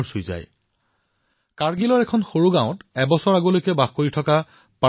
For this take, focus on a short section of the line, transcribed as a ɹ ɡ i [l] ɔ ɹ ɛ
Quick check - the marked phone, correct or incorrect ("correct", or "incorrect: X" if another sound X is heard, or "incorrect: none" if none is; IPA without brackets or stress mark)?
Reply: correct